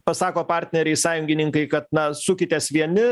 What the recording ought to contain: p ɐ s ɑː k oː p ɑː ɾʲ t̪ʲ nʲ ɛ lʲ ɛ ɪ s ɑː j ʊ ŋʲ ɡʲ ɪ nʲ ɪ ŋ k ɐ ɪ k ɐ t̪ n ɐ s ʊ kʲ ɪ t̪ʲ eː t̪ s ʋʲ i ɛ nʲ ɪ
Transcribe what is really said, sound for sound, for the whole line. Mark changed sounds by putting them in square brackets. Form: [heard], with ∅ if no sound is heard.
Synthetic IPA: p ɐ s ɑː k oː p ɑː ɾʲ t̪ʲ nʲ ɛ [ɾʲ] ɛ ɪ s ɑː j ʊ ŋʲ ɡʲ ɪ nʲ ɪ ŋ k ɐ ɪ k ɐ t̪ n ɐ s ʊ kʲ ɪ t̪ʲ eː [∅] s ʋʲ i ɛ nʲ ɪ